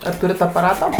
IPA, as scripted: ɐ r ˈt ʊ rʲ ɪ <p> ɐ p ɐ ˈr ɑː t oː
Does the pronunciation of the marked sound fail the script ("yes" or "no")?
yes